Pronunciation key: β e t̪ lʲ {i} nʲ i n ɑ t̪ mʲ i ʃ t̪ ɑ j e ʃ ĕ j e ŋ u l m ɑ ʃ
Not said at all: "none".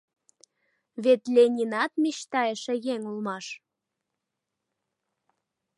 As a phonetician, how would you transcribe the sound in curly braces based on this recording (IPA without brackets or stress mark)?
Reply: e